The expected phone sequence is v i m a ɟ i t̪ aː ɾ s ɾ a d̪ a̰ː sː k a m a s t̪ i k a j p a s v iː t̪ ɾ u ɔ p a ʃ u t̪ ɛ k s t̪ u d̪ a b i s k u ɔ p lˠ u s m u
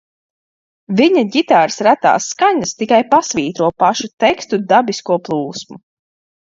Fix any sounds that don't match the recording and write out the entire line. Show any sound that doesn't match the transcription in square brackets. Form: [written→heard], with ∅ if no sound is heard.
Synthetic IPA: v i [m→ɲ] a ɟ i t̪ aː ɾ s ɾ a [d̪→t̪] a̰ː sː k a [m→ɲ] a s t̪ i k a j p a s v iː t̪ ɾ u ɔ p a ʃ u t̪ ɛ k s t̪ u d̪ a b i s k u ɔ p lˠ [u→uː] s m u